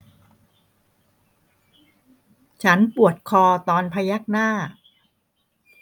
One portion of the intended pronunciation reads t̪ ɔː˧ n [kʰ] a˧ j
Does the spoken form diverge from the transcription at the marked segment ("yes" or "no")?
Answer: yes